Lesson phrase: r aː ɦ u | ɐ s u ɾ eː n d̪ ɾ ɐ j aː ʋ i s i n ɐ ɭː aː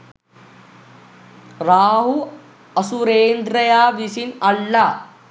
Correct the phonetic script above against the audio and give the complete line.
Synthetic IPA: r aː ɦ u | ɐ s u ɾ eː n d̪ ɾ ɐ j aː ʋ i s i n ɐ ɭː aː